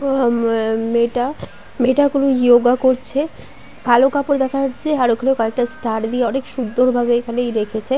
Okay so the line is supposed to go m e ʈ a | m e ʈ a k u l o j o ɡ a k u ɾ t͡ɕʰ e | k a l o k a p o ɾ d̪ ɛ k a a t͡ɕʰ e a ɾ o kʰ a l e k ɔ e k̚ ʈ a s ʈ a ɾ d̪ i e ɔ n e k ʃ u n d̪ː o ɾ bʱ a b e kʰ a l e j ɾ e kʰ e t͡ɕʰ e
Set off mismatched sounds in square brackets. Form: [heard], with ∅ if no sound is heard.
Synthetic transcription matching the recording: m e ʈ a | m e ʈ a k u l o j o ɡ a k [o] ɾ t͡ɕʰ e | k a l o k a p o ɾ d̪ ɛ [kʰ] a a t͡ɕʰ e a ɾ o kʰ a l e k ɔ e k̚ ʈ a s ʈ a ɾ d̪ i e ɔ n e k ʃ u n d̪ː o ɾ bʱ a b e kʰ a l e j ɾ e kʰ e t͡ɕʰ e

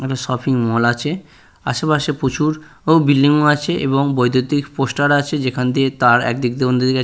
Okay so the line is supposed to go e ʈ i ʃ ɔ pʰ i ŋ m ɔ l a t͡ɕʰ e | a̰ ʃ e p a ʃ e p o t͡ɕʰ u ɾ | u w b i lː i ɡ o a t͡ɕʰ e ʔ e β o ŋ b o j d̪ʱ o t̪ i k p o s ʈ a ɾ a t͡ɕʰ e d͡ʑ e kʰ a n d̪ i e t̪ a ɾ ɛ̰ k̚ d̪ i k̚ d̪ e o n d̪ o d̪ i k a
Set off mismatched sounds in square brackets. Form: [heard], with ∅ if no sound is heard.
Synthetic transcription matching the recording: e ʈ [a] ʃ ɔ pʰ i ŋ m ɔ l a t͡ɕʰ e | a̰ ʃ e p a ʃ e p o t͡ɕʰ u ɾ | [o] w b i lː i [ŋ] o a t͡ɕʰ e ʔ e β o ŋ b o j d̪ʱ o t̪ i k p o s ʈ a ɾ a t͡ɕʰ e d͡ʑ e kʰ a n d̪ i e t̪ a ɾ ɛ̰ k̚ d̪ i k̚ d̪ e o n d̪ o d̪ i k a

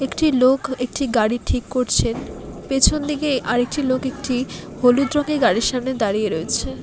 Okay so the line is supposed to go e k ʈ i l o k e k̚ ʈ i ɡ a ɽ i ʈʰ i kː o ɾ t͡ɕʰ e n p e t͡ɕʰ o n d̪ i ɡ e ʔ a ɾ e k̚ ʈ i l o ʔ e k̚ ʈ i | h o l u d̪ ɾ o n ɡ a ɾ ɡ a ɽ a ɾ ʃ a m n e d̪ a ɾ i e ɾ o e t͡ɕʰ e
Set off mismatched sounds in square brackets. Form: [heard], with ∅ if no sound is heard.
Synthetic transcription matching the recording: e k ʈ i l o k e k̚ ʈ i ɡ a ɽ i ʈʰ i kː o ɾ t͡ɕʰ e n p e t͡ɕʰ o n d̪ i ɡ e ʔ a ɾ e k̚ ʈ i l o [k] e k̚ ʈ i | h o l u d̪ ɾ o [ŋ] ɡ [e] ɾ ɡ a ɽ [i] ɾ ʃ a m n e d̪ a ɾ i e ɾ o e t͡ɕʰ e

